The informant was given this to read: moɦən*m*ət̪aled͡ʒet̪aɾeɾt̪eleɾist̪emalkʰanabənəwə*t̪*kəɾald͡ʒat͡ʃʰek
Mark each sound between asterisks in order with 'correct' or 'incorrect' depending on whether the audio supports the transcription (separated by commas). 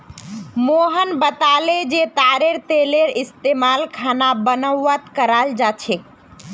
incorrect, correct